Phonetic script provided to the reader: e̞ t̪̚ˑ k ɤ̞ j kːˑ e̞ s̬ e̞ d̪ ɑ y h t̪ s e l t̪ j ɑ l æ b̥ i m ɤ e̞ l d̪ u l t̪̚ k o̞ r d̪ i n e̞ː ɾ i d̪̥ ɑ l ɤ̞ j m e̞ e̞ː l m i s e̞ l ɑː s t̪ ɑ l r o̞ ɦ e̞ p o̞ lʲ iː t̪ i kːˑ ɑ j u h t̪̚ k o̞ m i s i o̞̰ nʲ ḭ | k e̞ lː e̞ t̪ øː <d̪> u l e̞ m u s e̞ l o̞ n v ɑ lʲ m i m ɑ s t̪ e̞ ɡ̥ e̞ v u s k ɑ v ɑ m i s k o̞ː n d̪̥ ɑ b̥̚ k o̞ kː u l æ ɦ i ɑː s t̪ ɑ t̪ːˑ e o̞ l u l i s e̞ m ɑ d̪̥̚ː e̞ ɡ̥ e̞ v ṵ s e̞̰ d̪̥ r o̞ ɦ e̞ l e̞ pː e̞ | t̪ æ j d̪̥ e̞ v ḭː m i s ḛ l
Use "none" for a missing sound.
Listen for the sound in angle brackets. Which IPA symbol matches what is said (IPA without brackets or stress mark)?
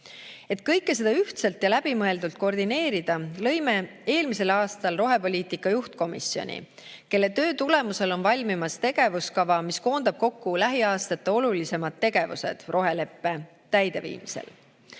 t̪